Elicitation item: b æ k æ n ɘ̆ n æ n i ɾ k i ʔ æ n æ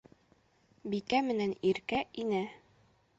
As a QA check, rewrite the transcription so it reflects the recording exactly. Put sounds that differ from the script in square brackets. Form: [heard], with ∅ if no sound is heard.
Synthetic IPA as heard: b [i] k æ [m] ɘ̆ n æ n i ɾ k [æ] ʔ [i] n æ